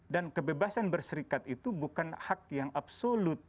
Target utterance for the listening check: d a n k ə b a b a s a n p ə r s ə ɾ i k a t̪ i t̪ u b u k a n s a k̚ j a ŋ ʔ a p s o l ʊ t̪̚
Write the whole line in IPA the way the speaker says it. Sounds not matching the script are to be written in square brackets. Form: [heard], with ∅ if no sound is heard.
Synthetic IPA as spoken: d a n k ə b [e] b a s a n [b] ə r s ə ɾ i k a t̪ i t̪ u b u k a n [h] a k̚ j a ŋ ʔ a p s o l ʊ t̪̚

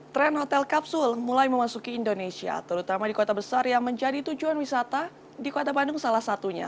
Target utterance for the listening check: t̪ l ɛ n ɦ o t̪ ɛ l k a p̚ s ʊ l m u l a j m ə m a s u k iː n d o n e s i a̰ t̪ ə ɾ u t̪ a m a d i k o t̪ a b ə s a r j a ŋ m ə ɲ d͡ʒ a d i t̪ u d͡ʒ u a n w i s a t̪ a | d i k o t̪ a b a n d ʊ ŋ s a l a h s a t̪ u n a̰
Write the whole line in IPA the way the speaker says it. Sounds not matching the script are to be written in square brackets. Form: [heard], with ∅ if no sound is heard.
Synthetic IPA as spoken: t̪ [ɾ] ɛ n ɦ o t̪ ɛ l k a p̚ s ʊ l m u l a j m ə m a s u k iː n d o n e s i a̰ t̪ ə ɾ u t̪ a m a d i k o t̪ a b ə s a r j a ŋ m ə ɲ d͡ʒ a d i t̪ u d͡ʒ u a n w i s a t̪ a | d i k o t̪ a b a n d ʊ ŋ s a l a h s a t̪ u [ɲ] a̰

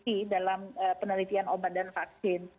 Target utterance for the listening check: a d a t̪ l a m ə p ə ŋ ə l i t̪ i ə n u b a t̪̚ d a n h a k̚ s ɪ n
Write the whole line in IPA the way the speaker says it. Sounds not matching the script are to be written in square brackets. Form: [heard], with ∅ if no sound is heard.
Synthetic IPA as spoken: [i] d a [∅] l a m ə p ə [n] ə l i t̪ i [a] n [o] b a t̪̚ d a n [f] a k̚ s ɪ n

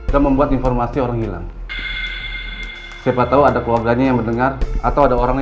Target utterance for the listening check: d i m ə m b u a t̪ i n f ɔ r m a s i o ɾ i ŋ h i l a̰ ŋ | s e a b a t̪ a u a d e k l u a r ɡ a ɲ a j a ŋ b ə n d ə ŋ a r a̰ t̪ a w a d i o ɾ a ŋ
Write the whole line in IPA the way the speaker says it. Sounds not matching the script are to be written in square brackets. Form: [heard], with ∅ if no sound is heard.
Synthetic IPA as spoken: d [a] m ə m b u a t̪ i n f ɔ r m a s i o ɾ [a] ŋ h i l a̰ ŋ | s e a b a t̪ a u a d [a] k l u a r ɡ a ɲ a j a ŋ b ə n d ə ŋ a r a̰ t̪ a w a d [a] o ɾ a ŋ

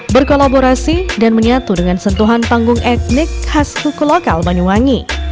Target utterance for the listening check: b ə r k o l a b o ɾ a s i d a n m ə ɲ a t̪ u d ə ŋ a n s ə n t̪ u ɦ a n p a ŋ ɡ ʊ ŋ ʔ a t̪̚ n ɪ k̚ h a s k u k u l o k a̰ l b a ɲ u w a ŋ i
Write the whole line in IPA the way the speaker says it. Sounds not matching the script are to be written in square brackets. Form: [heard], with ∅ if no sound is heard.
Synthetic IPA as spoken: b ə r k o l a b o ɾ a s i d a n m ə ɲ a t̪ u d ə ŋ a n s ə n t̪ u ɦ a n p a ŋ ɡ ʊ ŋ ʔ [ɛ] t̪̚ n ɪ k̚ h a s k u k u l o k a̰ l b a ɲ u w a ŋ i

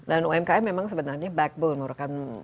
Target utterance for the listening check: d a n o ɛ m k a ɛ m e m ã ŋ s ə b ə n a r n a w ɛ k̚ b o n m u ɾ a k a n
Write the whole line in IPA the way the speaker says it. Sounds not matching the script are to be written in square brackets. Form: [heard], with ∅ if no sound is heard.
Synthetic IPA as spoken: d a n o ɛ m k a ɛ m e m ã ŋ s ə b ə n a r [ɲ] a [b] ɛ k̚ b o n m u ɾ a k a n

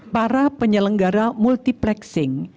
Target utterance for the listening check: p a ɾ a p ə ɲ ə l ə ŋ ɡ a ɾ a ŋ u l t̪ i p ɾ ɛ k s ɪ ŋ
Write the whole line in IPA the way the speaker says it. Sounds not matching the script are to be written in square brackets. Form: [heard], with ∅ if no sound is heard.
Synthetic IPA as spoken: p a ɾ a p ə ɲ ə l ə ŋ ɡ a ɾ a [m] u l t̪ i p [l] ɛ k s ɪ ŋ

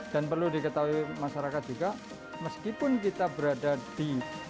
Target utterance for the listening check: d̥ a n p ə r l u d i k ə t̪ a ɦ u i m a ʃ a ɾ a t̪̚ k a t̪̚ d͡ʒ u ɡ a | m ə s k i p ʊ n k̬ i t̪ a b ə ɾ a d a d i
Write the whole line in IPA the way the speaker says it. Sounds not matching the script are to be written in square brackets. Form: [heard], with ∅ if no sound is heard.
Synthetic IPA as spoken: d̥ a n p ə r l u d i k ə t̪ a ɦ u i m a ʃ a ɾ a [∅] k a t̪̚ d͡ʒ u ɡ a | m ə s k i p ʊ n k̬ i t̪ a b ə ɾ a d a d i

